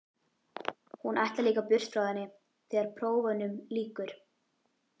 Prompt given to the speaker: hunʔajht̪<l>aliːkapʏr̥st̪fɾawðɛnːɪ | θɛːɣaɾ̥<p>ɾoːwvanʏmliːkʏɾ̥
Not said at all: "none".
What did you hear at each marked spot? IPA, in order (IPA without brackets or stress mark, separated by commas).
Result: l, pʰ